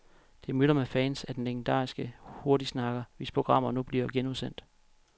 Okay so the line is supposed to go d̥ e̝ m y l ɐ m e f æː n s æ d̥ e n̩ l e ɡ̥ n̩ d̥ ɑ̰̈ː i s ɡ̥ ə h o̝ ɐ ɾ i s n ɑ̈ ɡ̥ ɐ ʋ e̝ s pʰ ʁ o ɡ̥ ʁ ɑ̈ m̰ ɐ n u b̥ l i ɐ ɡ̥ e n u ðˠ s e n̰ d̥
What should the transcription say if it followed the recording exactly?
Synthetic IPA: d̥ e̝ m y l ɐ m e f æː n s æ d̥ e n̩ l e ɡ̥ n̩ d̥ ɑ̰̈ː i s ɡ̥ ə h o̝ ɐ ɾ i s n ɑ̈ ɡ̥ ɐ ʋ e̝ s pʰ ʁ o ɡ̥ ʁ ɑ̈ m̰ ɐ n u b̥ l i ɐ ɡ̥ e n u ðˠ s e n̰ d̥